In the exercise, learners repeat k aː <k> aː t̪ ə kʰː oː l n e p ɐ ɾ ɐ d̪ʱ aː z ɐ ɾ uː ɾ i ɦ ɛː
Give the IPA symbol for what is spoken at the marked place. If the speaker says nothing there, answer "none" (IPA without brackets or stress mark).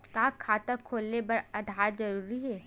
kʰ